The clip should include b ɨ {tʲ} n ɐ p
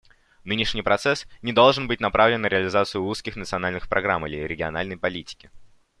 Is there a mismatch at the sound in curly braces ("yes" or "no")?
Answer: no